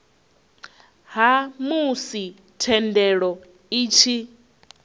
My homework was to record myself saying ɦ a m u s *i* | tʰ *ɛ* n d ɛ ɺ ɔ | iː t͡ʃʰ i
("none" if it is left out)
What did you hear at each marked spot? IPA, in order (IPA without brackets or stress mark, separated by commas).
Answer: i, ɛ